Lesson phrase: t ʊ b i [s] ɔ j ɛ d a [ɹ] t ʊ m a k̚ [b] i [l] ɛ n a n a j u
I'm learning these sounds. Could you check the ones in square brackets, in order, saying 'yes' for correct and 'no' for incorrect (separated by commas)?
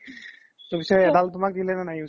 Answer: yes, no, no, yes